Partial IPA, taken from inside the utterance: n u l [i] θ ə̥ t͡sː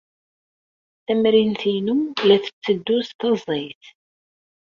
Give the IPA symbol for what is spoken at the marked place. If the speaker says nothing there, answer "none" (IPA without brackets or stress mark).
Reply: æ